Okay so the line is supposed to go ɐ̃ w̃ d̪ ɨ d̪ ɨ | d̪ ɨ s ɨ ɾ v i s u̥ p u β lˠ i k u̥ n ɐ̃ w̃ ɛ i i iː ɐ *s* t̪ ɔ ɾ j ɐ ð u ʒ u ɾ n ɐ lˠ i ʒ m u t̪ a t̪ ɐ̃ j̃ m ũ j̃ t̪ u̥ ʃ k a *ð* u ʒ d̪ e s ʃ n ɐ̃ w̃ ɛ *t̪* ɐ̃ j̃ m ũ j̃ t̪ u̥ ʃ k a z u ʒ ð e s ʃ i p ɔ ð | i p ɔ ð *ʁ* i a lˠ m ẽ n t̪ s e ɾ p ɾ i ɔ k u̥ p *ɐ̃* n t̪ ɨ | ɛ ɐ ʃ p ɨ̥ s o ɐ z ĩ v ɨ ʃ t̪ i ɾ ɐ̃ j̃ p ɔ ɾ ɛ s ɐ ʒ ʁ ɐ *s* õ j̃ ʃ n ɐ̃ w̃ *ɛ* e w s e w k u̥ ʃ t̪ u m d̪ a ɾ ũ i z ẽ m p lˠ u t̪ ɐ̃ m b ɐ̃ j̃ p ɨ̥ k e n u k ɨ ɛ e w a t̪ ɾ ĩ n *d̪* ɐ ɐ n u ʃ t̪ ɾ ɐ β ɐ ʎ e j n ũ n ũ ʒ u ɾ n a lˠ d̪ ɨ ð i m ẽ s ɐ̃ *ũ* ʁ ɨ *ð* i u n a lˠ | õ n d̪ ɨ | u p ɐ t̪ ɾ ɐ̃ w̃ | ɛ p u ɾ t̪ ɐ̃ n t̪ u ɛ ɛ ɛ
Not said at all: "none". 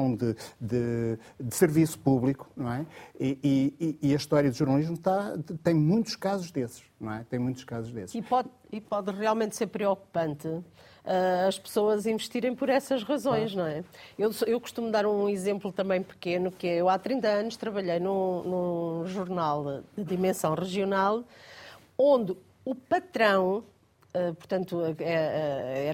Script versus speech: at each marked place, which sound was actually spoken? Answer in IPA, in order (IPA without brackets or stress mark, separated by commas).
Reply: ʃ, z, t̪, ʁ, ɐ̃, z, ɛ, t̪, w̃, ʒ